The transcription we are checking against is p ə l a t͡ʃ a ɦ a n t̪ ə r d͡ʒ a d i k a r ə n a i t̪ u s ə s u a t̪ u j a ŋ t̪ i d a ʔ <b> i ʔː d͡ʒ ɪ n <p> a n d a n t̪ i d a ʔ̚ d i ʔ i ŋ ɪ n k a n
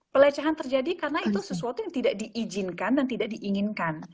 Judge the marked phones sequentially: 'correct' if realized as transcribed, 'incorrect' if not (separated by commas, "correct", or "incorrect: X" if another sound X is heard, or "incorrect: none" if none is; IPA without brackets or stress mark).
incorrect: d, incorrect: k